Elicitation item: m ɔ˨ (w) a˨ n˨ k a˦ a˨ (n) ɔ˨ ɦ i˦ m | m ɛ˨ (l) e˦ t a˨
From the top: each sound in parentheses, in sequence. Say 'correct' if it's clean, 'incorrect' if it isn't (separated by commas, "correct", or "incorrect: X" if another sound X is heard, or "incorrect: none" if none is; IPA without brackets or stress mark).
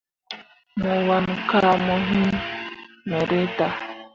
correct, incorrect: m, incorrect: ɾ